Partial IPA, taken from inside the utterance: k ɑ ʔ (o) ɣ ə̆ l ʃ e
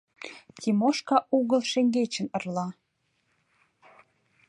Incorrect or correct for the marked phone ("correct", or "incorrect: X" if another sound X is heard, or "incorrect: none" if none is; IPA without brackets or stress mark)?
incorrect: u